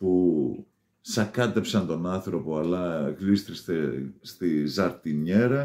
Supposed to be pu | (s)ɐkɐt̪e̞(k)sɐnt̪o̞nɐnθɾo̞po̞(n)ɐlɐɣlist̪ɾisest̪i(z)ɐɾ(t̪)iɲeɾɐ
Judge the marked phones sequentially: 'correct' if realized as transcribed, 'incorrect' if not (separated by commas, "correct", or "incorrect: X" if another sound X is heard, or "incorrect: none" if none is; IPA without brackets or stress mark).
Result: correct, incorrect: p, incorrect: none, correct, correct